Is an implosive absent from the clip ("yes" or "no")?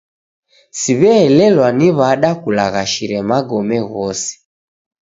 no